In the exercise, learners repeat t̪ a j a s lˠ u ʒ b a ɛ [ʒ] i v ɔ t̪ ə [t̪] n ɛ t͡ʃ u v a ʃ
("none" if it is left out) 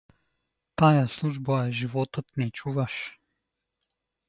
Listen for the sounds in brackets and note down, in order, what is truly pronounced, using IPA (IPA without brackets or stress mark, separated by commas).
ʒ, t̪